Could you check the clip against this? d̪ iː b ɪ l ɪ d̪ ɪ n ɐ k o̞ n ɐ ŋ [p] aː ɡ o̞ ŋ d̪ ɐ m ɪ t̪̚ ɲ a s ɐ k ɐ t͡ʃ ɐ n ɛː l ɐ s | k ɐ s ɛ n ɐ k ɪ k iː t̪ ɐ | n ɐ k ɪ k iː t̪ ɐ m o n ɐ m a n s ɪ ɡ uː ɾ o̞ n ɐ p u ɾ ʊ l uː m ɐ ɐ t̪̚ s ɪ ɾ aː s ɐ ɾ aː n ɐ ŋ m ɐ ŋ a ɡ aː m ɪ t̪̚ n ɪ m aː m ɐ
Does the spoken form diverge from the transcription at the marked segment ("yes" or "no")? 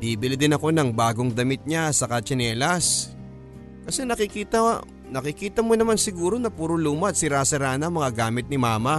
yes